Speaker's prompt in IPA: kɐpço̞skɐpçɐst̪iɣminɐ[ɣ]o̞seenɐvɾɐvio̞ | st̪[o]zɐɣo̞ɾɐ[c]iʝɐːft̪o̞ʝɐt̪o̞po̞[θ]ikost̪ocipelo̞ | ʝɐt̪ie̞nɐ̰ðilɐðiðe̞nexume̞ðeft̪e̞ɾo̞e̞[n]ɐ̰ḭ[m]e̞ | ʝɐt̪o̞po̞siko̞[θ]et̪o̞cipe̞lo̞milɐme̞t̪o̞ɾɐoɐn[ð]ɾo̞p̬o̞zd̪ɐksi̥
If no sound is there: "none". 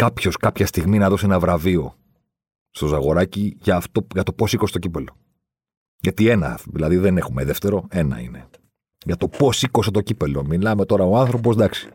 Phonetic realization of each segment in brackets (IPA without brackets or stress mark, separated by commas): ð, o, c, s, n, n, s, θ